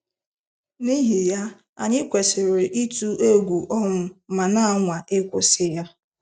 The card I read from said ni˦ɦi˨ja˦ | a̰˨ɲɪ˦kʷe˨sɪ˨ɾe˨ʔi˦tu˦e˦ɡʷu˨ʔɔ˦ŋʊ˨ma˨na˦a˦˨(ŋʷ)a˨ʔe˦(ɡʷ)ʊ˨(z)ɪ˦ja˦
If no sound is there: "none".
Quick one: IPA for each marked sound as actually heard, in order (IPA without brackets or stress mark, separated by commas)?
ŋʷ, kʷ, s